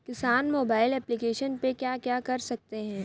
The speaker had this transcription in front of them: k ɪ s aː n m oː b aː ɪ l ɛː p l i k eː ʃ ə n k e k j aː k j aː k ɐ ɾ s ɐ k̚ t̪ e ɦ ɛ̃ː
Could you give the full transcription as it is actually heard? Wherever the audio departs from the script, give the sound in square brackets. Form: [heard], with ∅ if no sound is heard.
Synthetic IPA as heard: k ɪ s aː n m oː b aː ɪ l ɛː p l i k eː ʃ ə n [p] e k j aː k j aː k ɐ ɾ s ɐ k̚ t̪ e ɦ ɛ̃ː